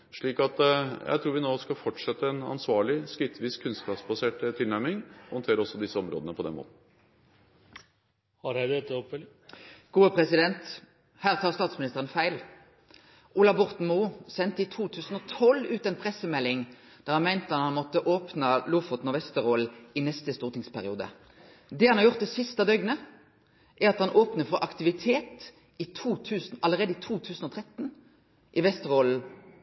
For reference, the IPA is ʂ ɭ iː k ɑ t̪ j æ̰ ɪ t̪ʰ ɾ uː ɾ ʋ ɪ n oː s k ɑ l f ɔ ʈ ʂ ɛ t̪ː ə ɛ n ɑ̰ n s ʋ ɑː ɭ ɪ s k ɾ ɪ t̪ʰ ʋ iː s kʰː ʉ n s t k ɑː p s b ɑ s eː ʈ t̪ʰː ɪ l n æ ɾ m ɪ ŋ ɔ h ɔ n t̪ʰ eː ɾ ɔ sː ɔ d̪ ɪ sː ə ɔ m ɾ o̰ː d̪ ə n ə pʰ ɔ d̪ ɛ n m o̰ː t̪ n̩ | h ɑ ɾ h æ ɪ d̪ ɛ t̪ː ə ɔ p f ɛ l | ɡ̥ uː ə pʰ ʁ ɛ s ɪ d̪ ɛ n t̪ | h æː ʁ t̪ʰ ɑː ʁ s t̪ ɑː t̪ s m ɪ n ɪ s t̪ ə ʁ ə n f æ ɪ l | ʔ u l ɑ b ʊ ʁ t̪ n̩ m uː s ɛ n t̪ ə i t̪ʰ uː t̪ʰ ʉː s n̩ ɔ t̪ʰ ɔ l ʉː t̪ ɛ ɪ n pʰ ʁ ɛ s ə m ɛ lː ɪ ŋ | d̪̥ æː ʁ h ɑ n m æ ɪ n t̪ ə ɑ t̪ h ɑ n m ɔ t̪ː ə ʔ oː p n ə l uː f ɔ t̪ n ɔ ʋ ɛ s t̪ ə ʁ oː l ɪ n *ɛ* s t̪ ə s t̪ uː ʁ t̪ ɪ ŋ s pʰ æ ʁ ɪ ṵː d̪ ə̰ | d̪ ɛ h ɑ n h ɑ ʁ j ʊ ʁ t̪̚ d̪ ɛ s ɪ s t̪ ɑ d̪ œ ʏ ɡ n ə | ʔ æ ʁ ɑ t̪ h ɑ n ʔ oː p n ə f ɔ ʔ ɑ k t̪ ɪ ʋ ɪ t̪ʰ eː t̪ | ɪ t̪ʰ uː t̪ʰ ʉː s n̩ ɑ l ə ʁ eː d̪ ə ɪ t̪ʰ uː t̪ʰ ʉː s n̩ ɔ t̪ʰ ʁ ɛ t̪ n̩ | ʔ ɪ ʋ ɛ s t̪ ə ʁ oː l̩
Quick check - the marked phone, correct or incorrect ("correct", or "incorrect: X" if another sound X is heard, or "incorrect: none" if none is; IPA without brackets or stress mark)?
correct